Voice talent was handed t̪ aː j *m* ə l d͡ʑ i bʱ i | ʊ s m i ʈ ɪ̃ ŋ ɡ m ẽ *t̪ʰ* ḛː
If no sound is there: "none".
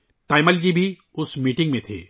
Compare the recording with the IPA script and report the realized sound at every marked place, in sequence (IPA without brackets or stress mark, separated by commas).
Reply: m, t̪ʰ